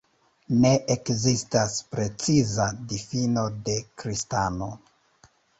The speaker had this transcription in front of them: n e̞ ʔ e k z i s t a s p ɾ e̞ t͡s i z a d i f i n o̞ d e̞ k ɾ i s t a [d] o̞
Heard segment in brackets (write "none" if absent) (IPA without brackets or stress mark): n